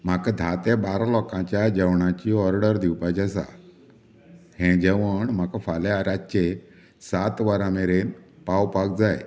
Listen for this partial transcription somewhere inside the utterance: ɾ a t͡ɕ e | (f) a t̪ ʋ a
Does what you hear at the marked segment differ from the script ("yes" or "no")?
yes